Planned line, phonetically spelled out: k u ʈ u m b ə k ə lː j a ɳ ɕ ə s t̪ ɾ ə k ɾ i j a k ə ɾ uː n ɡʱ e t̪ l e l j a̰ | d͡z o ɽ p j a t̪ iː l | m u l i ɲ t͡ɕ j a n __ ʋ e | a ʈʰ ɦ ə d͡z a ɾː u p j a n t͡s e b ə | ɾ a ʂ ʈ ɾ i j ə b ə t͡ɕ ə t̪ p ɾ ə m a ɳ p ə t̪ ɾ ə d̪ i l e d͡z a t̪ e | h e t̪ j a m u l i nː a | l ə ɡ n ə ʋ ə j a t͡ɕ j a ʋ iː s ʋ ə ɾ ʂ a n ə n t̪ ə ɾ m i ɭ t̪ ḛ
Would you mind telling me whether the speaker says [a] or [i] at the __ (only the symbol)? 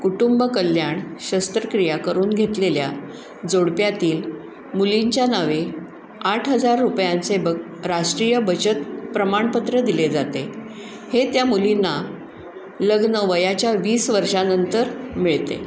a